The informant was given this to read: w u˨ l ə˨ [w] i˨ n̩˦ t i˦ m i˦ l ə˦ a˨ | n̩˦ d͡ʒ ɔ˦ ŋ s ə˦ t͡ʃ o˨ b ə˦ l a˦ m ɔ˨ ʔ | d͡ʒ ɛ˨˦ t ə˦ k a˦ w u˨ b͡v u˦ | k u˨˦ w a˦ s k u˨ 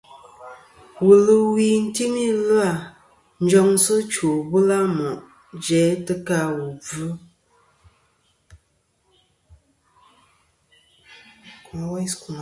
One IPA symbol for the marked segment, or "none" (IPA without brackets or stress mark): w